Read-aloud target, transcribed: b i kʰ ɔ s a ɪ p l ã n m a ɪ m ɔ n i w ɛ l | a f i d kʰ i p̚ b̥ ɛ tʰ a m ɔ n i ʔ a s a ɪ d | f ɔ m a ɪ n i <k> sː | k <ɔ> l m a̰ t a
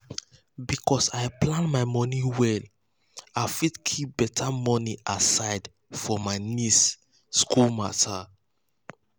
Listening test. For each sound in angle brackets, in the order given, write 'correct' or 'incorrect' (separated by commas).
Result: incorrect, incorrect